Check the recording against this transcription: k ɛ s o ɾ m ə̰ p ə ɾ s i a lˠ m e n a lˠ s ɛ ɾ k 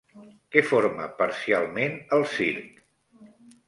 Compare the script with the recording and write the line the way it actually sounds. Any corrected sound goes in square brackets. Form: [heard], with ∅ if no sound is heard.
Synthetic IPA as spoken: k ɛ [f] o ɾ m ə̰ p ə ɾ s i a lˠ m e n [ə] lˠ s [i] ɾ k

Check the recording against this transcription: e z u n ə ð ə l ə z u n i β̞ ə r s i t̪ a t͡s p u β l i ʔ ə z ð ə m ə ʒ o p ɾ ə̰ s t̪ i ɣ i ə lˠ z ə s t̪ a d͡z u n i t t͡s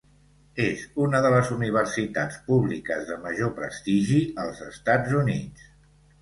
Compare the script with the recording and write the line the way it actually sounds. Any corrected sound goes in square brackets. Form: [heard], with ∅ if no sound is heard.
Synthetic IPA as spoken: e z u n ə ð ə l ə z u n i β̞ ə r s i t̪ a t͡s p u β l i [k] ə z ð ə m ə ʒ o p ɾ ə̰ s t̪ i [ʒ] i ə lˠ z ə s t̪ a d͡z u n i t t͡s

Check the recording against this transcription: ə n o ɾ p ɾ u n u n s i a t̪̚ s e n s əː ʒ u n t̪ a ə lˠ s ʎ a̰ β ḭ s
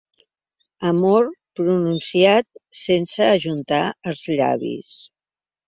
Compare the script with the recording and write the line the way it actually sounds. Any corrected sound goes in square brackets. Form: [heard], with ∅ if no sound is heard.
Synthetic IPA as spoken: ə [m] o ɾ p ɾ u n u n s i a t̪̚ s e n s əː ʒ u n t̪ a ə lˠ [z] ʎ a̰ β ḭ s

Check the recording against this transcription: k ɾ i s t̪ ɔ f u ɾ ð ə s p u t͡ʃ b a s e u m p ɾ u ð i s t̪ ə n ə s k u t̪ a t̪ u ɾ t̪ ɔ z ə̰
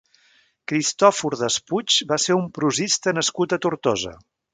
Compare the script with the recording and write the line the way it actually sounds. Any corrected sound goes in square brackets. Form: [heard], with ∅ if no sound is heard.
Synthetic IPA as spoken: k ɾ i s t̪ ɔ f u ɾ ð ə s p u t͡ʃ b a s e u m p ɾ u [z] i s t̪ ə n ə s k u t̪ [ə] t̪ u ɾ t̪ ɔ z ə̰

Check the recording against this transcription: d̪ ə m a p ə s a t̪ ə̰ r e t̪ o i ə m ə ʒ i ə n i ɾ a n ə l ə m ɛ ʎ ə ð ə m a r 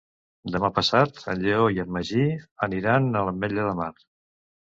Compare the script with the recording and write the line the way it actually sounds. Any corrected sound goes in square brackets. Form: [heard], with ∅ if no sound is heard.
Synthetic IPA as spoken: d̪ ə m a p ə s a t̪ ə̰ [ʎ] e [∅] o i ə m ə ʒ i ə n i ɾ a n ə l ə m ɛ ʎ ə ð ə m a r

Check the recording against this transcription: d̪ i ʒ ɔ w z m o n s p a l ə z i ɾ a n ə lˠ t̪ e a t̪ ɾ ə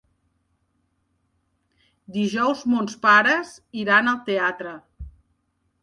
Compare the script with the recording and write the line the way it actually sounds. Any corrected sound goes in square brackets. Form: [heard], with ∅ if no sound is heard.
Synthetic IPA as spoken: d̪ i ʒ ɔ w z m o n s p a [ɾ] ə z i ɾ a n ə lˠ t̪ e a t̪ ɾ ə

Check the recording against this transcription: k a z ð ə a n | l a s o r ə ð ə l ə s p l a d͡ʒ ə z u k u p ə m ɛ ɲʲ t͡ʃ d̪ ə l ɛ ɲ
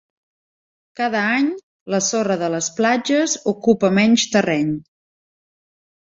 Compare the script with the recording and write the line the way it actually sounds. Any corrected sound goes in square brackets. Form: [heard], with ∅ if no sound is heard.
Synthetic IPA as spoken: k a [∅] ð ə a [ɲ] | l [ə] s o r ə ð ə l ə s p l a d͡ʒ ə z u k u p ə m ɛ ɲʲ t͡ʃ [t̪] ə [r] ɛ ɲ

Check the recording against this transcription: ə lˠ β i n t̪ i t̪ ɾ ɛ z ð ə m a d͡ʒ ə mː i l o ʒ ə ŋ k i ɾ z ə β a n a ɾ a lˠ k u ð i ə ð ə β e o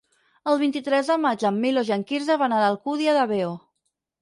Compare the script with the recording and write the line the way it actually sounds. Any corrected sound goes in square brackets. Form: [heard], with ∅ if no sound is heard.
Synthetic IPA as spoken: ə lˠ β i n t̪ i t̪ ɾ ɛ z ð ə m a d͡ʒ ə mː i l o ʒ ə ŋ k i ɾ z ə β a n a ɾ a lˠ k u ð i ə ð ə β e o

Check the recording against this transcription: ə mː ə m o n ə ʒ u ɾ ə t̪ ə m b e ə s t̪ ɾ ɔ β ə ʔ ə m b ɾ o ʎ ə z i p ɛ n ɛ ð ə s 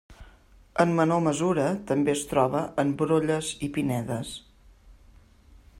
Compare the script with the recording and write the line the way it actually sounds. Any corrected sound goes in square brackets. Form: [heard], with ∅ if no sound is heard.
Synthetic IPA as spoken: ə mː ə [n] o [m] ə [z] u ɾ ə t̪ ə m b e ə s t̪ ɾ ɔ β ə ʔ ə m b ɾ o ʎ ə z i p [i] n ɛ ð ə s

